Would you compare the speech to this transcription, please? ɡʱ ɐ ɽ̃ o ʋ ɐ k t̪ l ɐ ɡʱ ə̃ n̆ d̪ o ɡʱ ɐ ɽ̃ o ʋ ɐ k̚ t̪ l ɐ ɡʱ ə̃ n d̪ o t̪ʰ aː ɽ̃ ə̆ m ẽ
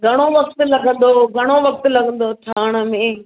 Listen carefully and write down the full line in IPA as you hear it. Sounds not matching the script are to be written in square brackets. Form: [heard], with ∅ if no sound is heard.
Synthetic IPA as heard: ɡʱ ɐ ɽ̃ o ʋ ɐ k t̪ l ɐ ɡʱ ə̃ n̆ d̪ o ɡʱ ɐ ɽ̃ o ʋ ɐ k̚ t̪ l ɐ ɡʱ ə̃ n d̪ o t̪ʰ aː ɽ̃ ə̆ m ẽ

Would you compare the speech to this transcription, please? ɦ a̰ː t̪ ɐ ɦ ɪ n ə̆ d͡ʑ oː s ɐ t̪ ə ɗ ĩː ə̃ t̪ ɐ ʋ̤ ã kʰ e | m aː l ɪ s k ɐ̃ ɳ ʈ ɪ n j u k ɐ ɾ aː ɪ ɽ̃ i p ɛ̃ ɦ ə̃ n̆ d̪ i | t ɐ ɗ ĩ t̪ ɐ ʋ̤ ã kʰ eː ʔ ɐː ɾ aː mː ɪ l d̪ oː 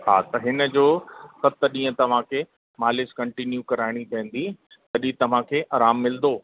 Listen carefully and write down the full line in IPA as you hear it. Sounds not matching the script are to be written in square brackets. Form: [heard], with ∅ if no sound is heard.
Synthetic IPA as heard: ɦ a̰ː t̪ ɐ ɦ ɪ n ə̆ d͡ʑ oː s ɐ t̪ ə ɗ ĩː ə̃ t̪ ɐ ʋ̤ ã kʰ e | m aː l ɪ s k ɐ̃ ɳ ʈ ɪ n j u k ɐ ɾ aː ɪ ɽ̃ i p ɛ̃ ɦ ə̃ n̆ d̪ i | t ɐ ɗ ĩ t̪ ɐ ʋ̤ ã kʰ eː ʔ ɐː ɾ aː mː ɪ l d̪ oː

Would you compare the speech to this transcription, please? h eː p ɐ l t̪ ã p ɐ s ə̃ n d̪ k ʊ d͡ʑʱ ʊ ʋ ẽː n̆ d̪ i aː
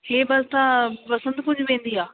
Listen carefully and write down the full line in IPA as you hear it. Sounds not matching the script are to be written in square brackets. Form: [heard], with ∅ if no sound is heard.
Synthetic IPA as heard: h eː [b] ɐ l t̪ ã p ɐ s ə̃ n d̪ k ʊ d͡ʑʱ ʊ ʋ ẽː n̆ d̪ i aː

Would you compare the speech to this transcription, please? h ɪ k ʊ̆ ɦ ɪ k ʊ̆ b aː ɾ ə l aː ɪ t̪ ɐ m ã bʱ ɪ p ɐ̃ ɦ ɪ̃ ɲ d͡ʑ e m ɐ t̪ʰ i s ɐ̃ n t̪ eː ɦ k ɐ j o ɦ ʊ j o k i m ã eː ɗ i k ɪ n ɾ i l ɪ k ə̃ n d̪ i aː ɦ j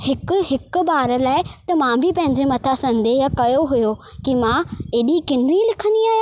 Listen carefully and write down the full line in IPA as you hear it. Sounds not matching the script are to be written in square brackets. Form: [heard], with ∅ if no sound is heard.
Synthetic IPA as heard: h ɪ k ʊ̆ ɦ ɪ k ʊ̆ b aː ɾ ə l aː ɪ t̪ ɐ m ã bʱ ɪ p ɐ̃ ɦ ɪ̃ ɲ d͡ʑ e m ɐ t̪ʰ [a] s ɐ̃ n [d̪] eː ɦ k ɐ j o ɦ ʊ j o k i m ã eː ɗ i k ɪ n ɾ i l ɪ [kʰ] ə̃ n d̪ i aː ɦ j

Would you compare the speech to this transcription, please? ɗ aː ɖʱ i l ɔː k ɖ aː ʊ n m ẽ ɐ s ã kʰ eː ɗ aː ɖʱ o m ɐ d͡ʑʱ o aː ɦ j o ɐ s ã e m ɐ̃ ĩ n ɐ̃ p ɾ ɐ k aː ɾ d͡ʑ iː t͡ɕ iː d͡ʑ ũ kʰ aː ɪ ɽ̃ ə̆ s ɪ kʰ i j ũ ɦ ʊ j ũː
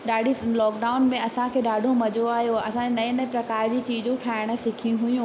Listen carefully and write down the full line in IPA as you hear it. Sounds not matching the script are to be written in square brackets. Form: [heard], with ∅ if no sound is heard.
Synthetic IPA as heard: ɗ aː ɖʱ i l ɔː k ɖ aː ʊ n m ẽ ɐ s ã kʰ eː ɗ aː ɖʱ o m ɐ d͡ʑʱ o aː ɦ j o ɐ s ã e [n] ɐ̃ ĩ n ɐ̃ p ɾ ɐ k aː ɾ d͡ʑ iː t͡ɕ iː d͡ʑ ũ [ʈʰ] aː ɪ ɽ̃ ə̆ s ɪ kʰ i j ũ ɦ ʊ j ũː

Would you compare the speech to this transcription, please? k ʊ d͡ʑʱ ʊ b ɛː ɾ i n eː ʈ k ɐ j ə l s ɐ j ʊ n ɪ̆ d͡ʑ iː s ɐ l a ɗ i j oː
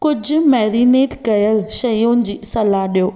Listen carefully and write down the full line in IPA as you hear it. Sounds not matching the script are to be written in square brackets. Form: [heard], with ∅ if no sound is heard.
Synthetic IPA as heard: k ʊ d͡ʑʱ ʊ [m] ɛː ɾ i n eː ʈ k ɐ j ə l [ʃ] ɐ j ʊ n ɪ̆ d͡ʑ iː s ɐ l a ɗ i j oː

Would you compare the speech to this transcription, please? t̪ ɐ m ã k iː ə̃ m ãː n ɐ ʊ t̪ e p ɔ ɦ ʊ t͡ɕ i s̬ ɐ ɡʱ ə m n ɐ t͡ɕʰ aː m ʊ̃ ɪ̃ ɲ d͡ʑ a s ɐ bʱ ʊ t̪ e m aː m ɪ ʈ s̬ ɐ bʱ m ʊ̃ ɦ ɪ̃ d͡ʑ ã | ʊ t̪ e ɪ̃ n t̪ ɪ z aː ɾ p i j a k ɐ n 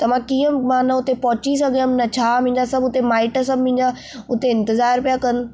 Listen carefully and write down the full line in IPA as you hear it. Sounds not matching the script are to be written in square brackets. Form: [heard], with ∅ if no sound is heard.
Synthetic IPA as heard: t̪ ɐ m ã k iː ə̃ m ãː n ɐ ʊ t̪ e p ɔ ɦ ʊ t͡ɕ i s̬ ɐ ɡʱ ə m n ɐ t͡ɕʰ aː m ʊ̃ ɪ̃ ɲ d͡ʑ a s ɐ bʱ ʊ t̪ e m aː [∅] ɪ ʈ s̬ ɐ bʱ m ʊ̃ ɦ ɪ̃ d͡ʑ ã | ʊ t̪ e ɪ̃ n t̪ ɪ z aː ɾ p i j a k ɐ n

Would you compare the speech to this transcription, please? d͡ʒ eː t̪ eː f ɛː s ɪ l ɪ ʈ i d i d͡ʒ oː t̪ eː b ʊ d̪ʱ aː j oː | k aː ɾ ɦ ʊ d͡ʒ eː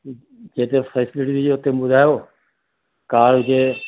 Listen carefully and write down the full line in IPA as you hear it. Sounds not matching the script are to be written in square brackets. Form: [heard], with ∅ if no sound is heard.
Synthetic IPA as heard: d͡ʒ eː t̪ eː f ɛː s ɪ l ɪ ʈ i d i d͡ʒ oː t̪ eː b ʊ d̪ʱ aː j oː | k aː ɾ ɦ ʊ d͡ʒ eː

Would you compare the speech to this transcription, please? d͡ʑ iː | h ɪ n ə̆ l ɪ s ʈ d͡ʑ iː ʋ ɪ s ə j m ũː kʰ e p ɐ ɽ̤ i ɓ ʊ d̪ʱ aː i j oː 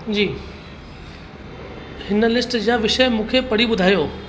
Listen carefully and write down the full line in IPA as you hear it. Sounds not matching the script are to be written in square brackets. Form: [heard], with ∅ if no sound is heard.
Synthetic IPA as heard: d͡ʑ iː | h ɪ n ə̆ l ɪ s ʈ d͡ʑ [aː] ʋ ɪ [ʃ] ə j m ũː kʰ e p ɐ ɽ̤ i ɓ ʊ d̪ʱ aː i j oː

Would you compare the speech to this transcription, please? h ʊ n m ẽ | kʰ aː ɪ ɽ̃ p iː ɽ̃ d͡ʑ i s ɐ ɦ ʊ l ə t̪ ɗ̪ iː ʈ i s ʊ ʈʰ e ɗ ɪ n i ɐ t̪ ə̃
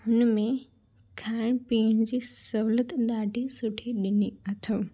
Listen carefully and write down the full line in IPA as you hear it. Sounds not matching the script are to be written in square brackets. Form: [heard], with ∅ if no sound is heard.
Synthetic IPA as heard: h ʊ n m ẽ | kʰ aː ɪ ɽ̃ p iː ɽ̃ d͡ʑ i s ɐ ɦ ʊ l ə t̪ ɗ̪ [aː] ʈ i s ʊ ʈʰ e ɗ ɪ n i ɐ [t̪ʰ] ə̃

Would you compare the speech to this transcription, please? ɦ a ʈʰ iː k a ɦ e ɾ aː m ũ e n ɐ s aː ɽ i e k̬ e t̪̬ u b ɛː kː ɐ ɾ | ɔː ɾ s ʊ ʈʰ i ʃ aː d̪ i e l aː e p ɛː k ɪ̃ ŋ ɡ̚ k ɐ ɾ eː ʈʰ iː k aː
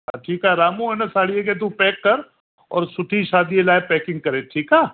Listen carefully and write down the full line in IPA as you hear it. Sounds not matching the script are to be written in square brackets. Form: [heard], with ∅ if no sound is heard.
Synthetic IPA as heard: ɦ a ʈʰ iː k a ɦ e ɾ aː m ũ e n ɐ s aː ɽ i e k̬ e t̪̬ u [p] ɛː kː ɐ ɾ | ɔː ɾ s ʊ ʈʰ i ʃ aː d̪ i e l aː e p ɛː k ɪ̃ ŋ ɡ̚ k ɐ ɾ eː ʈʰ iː k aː

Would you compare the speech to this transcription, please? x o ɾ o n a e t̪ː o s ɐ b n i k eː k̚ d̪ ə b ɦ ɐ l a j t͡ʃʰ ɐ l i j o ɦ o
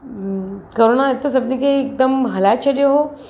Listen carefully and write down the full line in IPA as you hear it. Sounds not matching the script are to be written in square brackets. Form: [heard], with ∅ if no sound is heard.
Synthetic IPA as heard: [k] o ɾ o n a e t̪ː o s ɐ b n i k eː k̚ d̪ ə [m] ɦ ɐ l a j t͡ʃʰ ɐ l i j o ɦ o

